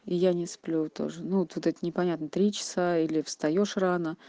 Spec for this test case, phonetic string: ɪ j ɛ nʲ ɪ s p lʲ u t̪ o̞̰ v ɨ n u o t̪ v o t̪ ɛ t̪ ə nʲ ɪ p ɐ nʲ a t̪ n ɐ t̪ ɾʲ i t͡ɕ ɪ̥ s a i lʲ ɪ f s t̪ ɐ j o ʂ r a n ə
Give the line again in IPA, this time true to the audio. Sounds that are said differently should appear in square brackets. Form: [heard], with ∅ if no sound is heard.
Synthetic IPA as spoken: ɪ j [a] nʲ ɪ s p lʲ u t̪ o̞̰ [ʐ] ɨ n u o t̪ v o t̪ ɛ t̪ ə nʲ ɪ p ɐ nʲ a t̪ n [ə] t̪ ɾʲ i t͡ɕ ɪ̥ s a i lʲ ɪ f s t̪ ɐ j o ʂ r a n ə